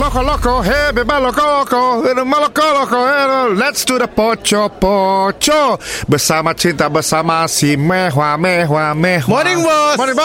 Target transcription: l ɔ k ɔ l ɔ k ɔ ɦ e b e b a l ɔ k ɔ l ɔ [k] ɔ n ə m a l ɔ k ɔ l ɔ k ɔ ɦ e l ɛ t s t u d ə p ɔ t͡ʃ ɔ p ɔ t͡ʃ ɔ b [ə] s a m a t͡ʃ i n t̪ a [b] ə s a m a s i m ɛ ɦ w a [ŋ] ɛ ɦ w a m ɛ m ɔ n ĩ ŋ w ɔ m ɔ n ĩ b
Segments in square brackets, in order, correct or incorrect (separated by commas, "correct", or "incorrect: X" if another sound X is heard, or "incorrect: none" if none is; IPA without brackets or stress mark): correct, correct, correct, incorrect: m